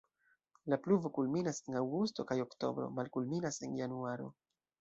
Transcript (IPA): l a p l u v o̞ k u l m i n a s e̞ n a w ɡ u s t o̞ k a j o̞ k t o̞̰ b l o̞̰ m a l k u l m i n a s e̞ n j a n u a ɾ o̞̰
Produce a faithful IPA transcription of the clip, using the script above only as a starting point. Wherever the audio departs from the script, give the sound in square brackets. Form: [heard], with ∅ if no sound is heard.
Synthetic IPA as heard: l a p l u v o̞ k u l m i n a s e̞ n a w ɡ u s t o̞ k a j o̞ k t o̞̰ b [ɾ] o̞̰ m a l k u l m i n a s e̞ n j a n u a ɾ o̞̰